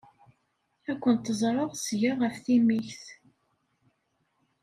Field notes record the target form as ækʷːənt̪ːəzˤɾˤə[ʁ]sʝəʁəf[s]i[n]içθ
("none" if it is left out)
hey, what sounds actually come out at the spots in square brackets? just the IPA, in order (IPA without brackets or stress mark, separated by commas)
ʁ, θ, m